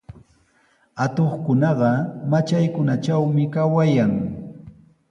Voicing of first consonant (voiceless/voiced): voiceless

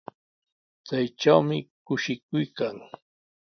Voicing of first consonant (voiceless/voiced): voiceless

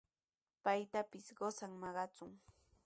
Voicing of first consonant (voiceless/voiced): voiceless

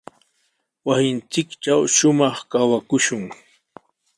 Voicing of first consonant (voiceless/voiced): voiced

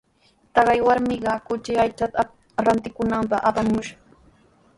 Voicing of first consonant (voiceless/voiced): voiceless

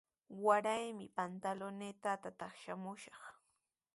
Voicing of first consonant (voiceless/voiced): voiced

